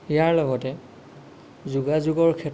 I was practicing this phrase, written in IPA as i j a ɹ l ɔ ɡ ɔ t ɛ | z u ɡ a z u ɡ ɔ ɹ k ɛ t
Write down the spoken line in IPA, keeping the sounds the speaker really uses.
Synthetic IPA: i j a ɹ l ɔ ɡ ɔ t ɛ | z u ɡ a z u ɡ ɔ ɹ kʰ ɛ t